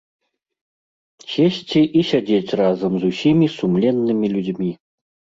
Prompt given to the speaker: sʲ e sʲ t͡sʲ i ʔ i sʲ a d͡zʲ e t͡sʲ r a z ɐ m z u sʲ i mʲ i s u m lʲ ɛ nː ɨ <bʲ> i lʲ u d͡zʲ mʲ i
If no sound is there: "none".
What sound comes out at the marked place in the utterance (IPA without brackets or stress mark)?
mʲ